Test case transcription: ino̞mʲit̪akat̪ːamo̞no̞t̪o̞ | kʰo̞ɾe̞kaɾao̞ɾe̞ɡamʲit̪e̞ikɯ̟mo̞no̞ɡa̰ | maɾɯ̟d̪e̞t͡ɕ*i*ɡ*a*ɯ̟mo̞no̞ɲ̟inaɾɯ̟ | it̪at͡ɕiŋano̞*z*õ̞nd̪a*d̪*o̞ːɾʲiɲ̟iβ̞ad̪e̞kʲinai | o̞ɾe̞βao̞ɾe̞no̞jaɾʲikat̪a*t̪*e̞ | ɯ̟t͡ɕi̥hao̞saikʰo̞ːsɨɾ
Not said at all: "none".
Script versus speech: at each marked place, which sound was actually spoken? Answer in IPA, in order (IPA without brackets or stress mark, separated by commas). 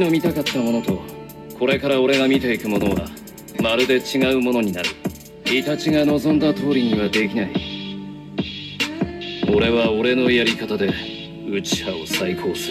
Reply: i, a, z, t̪, d̪